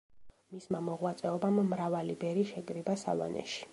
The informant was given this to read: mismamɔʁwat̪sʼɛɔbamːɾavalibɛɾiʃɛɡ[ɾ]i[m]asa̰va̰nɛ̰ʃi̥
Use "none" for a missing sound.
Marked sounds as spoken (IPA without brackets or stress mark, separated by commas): ɾ, b